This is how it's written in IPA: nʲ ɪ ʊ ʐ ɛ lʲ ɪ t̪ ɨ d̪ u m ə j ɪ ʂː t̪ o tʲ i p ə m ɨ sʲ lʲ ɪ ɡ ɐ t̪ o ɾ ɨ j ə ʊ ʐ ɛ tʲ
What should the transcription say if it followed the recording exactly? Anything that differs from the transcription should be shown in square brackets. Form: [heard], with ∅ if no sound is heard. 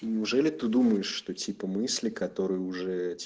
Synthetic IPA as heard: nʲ ɪ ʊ ʐ ɛ lʲ ɪ t̪ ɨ d̪ u m ə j ɪ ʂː t̪ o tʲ i p ə m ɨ sʲ lʲ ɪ [k] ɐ t̪ o ɾ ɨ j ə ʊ ʐ ɛ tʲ